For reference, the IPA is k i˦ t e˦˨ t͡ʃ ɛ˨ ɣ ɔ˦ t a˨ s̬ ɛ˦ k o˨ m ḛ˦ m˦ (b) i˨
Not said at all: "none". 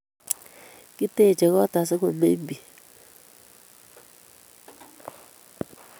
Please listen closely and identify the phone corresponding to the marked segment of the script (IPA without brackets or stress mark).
b